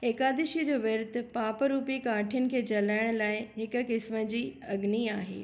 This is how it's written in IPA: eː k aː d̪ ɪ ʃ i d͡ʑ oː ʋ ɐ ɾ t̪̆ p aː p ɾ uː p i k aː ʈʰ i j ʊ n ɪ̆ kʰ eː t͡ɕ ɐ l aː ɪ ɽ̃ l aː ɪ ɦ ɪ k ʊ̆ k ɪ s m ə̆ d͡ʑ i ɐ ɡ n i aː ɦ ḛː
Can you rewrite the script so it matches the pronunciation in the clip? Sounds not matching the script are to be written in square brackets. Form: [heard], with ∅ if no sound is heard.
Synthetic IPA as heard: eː k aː d̪ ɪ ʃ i d͡ʑ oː ʋ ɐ ɾ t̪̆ p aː p ɾ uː p i k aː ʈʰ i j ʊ n ɪ̆ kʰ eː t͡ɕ ɐ l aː ɪ ɽ̃ l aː ɪ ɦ ɪ k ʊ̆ k ɪ s m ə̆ d͡ʑ [iː] ɐ ɡ n i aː ɦ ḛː